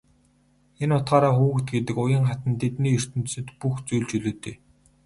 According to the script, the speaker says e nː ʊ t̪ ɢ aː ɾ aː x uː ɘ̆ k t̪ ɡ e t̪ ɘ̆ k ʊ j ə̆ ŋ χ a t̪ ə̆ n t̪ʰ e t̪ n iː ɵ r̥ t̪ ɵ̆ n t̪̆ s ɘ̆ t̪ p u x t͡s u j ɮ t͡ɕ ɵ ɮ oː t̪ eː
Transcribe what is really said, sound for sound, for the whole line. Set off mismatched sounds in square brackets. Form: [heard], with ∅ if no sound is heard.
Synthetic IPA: e [n] ʊ t̪ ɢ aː ɾ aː x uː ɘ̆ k t̪ ɡ e t̪ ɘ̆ k ʊ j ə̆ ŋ χ a t̪ ə̆ n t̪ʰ e t̪ n iː ɵ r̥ t̪ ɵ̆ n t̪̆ s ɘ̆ t̪ p u x t͡s u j ɮ t͡ɕ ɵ ɮ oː t̪ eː